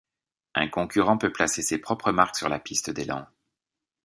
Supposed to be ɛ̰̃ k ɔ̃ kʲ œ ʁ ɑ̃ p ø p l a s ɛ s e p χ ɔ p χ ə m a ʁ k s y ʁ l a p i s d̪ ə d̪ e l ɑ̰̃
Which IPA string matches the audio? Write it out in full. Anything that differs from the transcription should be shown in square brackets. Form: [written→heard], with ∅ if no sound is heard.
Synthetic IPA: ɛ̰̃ k ɔ̃ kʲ [œ→y] ʁ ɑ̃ p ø p l a s [ɛ→e] s e p χ ɔ p χ ə m a ʁ k s y ʁ l a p i s [d̪→t̪] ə d̪ e l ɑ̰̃